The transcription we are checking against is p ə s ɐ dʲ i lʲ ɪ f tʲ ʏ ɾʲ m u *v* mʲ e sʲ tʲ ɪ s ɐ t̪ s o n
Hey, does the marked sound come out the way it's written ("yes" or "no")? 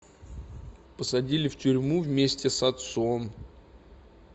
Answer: yes